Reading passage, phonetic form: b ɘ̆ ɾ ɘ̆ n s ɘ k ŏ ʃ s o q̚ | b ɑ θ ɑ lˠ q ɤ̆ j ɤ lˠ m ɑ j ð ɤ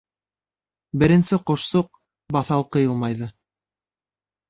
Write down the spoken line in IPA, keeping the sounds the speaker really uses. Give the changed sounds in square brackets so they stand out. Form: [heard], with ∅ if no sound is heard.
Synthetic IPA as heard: b ɘ̆ ɾ ɘ̆ n s ɘ [q] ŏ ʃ s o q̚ | b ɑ θ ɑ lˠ q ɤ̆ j ɤ lˠ m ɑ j ð ɤ